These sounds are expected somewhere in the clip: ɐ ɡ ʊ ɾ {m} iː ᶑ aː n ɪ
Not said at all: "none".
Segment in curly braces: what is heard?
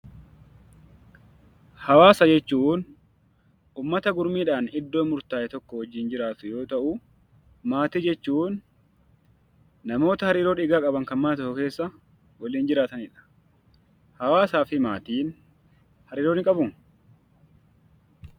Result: m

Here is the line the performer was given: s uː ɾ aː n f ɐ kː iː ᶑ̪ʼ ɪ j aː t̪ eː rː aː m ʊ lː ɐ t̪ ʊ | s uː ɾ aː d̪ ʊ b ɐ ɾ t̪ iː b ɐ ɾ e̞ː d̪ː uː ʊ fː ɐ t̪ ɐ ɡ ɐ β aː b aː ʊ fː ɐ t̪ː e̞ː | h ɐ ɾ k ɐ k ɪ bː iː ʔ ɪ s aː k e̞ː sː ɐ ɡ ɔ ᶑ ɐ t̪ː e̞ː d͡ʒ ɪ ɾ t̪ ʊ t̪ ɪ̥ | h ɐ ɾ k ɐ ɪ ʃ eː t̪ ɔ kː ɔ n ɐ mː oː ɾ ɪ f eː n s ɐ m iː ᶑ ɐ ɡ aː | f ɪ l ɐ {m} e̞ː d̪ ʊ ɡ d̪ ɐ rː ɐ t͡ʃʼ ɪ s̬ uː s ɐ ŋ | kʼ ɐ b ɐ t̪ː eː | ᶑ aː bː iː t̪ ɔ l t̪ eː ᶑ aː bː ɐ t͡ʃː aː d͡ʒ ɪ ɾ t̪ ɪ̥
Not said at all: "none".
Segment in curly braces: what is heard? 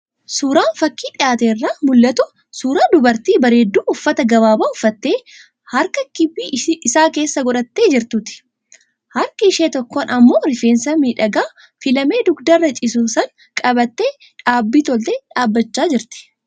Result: m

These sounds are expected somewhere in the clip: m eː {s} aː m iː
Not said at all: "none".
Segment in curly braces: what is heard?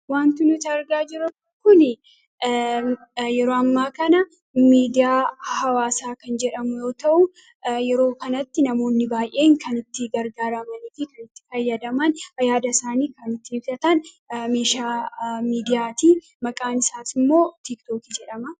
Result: ʃ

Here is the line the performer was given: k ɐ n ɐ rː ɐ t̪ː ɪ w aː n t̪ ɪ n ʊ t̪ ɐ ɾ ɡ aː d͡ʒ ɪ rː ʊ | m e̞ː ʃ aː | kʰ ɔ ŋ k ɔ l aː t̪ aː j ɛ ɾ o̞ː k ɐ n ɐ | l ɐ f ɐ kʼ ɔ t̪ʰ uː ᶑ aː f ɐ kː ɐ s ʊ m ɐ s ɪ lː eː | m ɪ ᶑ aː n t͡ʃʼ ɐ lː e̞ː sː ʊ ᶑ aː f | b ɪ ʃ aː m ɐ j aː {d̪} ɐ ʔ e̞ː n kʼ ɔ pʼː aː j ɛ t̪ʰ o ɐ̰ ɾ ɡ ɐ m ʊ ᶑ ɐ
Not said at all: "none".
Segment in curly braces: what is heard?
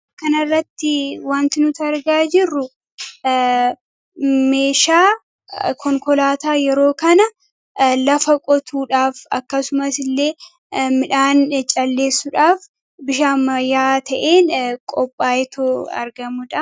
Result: t̪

